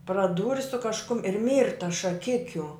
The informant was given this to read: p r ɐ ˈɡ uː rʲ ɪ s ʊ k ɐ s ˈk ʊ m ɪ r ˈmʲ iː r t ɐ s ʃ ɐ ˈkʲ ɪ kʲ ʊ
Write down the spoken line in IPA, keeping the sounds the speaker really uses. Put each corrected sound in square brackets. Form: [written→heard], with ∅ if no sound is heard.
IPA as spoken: p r ɐ [ˈɡ→ˈd] uː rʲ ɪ s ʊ k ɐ [s→ʃ] ˈk ʊ m ɪ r ˈmʲ iː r t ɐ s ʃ ɐ ˈkʲ ɪ kʲ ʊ